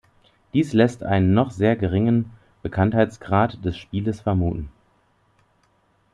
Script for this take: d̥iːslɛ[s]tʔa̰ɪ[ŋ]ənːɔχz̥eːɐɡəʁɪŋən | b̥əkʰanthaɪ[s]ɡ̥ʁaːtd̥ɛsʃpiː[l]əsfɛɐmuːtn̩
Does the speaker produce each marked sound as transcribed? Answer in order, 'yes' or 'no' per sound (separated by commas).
yes, no, no, yes